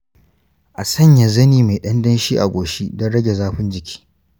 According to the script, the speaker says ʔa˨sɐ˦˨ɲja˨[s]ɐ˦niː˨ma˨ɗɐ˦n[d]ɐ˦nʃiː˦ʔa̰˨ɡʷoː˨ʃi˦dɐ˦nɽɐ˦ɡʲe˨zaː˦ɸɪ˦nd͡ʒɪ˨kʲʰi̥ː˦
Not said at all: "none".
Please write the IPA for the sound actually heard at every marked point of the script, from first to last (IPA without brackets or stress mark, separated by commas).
z, d